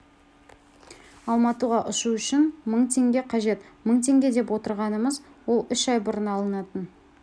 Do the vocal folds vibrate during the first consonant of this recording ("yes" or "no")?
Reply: yes